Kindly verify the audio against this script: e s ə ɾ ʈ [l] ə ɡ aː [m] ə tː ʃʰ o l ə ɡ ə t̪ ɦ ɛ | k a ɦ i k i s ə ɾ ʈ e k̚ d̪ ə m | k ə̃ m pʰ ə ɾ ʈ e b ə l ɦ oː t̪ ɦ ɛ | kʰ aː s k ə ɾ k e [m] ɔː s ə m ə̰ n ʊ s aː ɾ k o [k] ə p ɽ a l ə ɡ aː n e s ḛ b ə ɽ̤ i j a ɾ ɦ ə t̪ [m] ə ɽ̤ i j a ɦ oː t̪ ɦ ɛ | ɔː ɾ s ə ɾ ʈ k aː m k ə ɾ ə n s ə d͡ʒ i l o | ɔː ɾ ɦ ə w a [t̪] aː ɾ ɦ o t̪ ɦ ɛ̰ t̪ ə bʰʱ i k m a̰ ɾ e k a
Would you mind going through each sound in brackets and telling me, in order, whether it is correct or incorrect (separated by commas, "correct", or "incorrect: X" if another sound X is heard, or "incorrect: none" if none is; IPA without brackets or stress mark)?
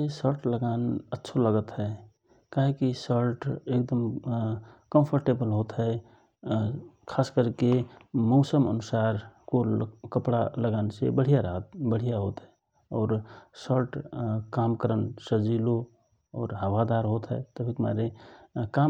correct, incorrect: n, correct, correct, incorrect: b, incorrect: d̪